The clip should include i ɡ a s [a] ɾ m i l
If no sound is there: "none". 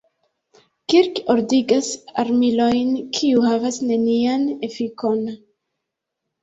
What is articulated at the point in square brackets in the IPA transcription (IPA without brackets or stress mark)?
a